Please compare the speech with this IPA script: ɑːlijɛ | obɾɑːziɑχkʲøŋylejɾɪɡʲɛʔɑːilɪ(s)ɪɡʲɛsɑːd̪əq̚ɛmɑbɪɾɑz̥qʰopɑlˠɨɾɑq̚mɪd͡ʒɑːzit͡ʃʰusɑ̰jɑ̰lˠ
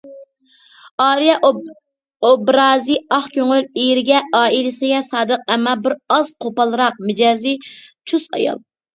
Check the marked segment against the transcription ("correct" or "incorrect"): correct